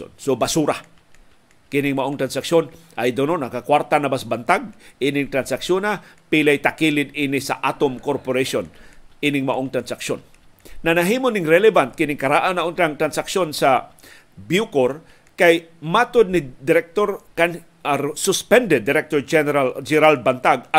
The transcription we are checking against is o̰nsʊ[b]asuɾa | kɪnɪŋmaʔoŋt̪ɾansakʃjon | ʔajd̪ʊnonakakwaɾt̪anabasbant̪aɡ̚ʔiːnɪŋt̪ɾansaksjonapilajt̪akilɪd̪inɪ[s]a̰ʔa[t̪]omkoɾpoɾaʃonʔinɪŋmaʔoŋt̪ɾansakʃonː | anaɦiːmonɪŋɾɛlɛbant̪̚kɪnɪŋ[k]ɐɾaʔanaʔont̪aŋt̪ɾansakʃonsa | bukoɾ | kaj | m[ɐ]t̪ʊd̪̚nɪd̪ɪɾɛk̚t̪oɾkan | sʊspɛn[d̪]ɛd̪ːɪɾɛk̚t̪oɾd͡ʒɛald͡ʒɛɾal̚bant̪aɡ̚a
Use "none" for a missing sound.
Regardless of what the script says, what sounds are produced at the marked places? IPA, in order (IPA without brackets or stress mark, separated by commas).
b, s, t̪, k, a, d̪